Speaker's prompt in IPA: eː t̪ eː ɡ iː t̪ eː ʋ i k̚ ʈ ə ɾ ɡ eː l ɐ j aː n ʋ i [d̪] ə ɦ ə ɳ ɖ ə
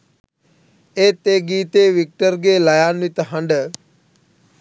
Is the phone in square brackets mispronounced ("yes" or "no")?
yes